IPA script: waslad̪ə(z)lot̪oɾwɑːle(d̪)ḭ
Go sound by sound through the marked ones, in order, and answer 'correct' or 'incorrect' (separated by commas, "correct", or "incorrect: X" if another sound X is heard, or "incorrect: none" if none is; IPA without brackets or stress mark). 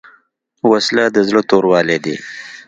correct, correct